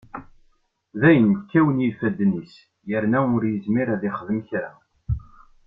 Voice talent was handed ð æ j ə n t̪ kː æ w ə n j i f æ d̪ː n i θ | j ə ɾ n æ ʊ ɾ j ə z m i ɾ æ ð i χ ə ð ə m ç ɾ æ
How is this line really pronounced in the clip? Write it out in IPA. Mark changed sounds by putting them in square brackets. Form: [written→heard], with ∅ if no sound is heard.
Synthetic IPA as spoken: ð æ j ə n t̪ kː æ w ə n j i f æ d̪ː n i [θ→s] | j ə ɾ n æ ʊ ɾ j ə z m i ɾ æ ð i χ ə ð ə m ç ɾ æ